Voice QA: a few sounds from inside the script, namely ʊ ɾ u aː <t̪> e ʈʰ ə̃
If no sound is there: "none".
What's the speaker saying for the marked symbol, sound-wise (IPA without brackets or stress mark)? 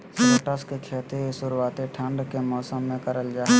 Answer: t̪